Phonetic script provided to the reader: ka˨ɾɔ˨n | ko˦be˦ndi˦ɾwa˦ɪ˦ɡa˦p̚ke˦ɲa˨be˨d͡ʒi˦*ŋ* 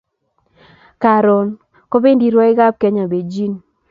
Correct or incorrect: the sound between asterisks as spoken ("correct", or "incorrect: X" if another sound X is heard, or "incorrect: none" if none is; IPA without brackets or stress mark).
incorrect: n